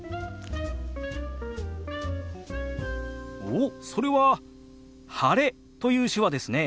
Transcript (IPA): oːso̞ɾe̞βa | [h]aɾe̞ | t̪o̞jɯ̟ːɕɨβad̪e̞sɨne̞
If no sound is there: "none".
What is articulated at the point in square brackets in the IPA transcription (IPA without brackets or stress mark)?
h